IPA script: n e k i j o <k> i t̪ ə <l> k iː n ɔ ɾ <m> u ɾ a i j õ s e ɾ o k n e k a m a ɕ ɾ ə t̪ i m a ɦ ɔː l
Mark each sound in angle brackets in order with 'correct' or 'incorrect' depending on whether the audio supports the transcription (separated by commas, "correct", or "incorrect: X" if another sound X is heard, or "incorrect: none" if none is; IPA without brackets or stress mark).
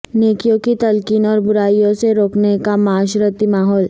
correct, correct, incorrect: b